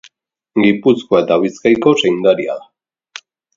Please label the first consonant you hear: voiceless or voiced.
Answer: voiced